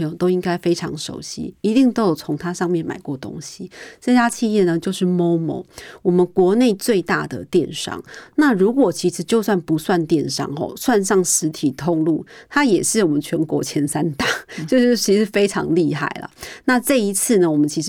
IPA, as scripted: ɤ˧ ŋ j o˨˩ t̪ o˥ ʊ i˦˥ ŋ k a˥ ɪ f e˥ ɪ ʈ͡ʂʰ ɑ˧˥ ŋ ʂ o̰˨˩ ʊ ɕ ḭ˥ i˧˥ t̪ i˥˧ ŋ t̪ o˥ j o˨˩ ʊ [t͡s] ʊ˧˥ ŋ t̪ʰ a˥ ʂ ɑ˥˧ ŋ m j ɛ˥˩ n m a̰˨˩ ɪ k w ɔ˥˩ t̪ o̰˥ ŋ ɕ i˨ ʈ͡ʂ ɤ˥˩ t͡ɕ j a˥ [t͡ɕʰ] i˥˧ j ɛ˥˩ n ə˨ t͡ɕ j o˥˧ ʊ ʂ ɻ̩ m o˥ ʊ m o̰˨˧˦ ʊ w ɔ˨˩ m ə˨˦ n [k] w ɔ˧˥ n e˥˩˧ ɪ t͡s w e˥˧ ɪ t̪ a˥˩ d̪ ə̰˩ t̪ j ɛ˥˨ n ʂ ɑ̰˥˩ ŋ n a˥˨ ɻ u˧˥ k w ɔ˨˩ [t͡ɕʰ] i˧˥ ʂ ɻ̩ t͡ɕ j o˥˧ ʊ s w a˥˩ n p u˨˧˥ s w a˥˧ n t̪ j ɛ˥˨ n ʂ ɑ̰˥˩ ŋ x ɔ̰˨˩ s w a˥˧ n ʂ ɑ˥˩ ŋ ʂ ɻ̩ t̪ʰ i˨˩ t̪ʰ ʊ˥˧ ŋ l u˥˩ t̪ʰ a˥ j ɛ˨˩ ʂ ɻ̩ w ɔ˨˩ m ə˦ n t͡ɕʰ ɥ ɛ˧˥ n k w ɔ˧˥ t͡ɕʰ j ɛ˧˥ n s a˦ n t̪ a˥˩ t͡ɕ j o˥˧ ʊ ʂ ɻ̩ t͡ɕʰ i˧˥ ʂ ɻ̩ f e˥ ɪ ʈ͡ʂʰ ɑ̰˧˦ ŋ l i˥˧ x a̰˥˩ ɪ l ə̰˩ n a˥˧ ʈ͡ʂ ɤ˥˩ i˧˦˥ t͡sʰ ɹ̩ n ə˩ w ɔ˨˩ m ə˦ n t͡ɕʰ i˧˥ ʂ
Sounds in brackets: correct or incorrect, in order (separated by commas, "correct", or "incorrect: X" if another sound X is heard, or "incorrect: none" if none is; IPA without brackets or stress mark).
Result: incorrect: t͡sʰ, correct, correct, correct